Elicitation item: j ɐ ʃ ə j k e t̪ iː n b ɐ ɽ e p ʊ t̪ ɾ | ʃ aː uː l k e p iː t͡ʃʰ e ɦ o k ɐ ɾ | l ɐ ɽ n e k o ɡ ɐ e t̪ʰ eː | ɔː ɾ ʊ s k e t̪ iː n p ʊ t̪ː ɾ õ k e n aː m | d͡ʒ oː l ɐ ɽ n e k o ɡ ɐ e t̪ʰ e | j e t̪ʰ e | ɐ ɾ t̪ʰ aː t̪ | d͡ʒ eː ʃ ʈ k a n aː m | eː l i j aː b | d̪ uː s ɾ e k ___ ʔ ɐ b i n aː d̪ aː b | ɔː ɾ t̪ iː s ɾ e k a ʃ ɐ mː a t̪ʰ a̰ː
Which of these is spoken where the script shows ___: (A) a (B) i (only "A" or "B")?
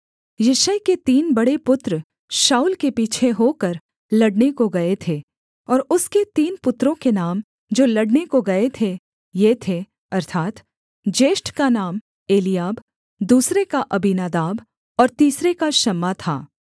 A